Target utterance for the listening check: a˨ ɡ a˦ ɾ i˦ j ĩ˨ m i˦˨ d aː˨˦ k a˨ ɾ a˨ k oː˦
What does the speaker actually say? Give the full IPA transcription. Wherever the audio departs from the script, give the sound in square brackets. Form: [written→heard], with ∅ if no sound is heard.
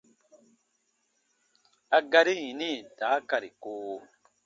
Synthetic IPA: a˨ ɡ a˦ ɾ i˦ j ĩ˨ [m→n] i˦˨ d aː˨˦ k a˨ ɾ [a˨→i˨] k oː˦